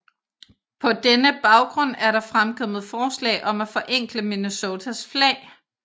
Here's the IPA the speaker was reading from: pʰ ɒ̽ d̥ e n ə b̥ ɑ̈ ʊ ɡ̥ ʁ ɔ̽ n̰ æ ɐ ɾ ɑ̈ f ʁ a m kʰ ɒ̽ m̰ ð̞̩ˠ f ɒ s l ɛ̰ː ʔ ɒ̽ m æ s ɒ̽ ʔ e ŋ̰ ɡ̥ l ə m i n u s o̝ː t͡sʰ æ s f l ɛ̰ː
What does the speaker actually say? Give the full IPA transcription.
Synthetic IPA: pʰ ɒ̽ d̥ e n ə b̥ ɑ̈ ʊ ɡ̥ ʁ ɔ̽ n̰ æ ɐ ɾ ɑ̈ f ʁ a m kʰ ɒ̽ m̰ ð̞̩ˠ f ɒː s l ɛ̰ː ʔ ɒ̽ m æ f ɒ̽ ʔ e ŋ̰ ɡ̥ l ə m i n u s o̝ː t͡sʰ æ s f l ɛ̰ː

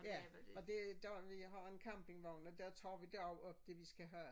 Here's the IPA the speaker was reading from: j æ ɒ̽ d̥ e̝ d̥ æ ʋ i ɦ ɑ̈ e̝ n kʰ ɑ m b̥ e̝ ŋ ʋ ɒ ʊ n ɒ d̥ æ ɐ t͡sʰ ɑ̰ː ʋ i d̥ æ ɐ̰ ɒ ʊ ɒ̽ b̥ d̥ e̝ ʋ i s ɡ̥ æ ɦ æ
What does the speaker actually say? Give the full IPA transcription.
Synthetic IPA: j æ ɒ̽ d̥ e̝ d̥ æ ʋ i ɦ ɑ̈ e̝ n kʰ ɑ m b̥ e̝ ŋ ʋ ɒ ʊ n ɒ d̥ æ ɐ t͡sʰ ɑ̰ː ʋ i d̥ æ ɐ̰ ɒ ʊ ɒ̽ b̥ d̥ e̝ ʋ i s ɡ̥ æ ɦ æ

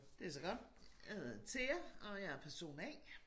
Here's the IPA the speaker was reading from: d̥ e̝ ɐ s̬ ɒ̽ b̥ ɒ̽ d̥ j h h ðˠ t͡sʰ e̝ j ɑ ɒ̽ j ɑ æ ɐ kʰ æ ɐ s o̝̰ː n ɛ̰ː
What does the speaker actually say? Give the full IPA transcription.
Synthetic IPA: d̥ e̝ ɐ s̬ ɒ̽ ɡ̥ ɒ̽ d̥ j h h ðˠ t͡sʰ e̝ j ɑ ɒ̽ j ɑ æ ɐ pʰ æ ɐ s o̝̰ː n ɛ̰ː

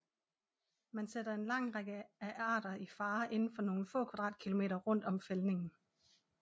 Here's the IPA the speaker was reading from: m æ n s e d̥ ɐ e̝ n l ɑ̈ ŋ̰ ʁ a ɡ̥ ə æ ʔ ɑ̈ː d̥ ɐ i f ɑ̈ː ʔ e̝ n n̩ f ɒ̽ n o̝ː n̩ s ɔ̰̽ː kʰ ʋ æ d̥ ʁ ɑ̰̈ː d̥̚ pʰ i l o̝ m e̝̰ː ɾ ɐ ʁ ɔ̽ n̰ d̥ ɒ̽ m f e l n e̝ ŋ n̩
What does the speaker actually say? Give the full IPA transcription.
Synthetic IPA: m æ n s e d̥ ɐ e̝ n l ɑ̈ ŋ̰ ʁ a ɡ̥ ə æ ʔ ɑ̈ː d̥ ɐ i f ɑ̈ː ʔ e̝ n n̩ f ɒ̽ n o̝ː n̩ f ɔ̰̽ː kʰ ʋ æ d̥ ʁ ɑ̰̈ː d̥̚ kʰ i l o̝ m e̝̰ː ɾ ɐ ʁ ɔ̽ n̰ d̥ ɒ̽ m f e l n e̝ ŋ n̩

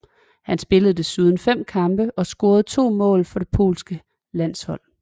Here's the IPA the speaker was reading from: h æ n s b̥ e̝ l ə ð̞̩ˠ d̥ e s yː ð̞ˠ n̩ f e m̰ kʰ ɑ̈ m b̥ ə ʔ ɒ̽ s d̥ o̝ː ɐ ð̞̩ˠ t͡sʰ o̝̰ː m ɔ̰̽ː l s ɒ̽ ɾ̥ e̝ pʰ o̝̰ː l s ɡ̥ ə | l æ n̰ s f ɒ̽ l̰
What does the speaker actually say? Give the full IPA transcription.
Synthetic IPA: h æ n s b̥ e̝ l ə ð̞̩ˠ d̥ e s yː ð̞ˠ n̩ f e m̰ kʰ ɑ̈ m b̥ ə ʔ ɒ̽ s ɡ̥ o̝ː ɐ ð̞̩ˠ t͡sʰ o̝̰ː m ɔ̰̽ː l f ɒ̽ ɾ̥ e̝ pʰ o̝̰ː l s ɡ̥ ə | l æ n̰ s h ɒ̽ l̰

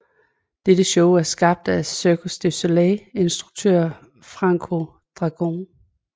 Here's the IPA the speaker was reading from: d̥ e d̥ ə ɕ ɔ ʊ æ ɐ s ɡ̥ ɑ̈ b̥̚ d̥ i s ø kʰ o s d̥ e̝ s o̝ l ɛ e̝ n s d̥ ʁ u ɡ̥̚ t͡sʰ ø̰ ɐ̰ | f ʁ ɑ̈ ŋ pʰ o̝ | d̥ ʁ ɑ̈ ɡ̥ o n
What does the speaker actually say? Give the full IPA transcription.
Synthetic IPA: d̥ e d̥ ə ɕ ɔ ʊ æ ɐ s ɡ̥ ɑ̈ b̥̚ d̥ æ s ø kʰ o s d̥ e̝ s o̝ l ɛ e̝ n s d̥ ʁ u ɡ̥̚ t͡sʰ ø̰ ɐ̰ | f ʁ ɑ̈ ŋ kʰ o̝ | d̥ ʁ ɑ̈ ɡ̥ o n

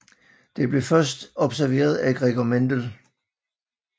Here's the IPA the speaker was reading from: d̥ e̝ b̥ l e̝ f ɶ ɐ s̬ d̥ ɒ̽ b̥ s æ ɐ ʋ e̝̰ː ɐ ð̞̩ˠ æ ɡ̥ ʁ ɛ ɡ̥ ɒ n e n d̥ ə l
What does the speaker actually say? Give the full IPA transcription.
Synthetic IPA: d̥ e̝ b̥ l e̝ f ɶ ɐ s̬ d̥ ɒ̽ b̥ s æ ɐ ʋ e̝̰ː ɐ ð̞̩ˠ æ ɡ̥ ʁ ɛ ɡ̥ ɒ m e n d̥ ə l

